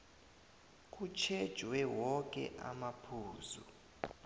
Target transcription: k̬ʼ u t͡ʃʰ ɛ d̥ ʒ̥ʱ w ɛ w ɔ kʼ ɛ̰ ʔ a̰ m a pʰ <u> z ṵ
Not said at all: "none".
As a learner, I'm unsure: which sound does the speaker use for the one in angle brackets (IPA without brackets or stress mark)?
uː